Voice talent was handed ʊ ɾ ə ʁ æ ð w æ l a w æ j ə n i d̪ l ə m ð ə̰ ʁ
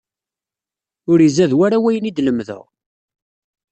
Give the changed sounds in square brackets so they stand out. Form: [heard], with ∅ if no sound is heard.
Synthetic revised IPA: ʊ ɾ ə [z] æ ð w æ [ɾ] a w æ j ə n i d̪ l ə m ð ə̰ ʁ